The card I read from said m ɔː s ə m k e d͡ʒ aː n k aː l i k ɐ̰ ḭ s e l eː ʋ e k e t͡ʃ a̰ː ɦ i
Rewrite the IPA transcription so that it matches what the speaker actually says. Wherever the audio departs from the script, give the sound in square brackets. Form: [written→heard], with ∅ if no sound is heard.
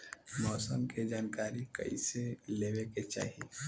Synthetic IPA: m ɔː s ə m k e d͡ʒ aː n k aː [l→ɾ] i k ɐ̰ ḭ s e l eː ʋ e k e t͡ʃ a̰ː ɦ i